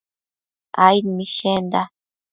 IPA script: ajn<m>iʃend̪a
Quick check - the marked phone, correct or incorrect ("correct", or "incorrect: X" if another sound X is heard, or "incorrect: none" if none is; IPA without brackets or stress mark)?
correct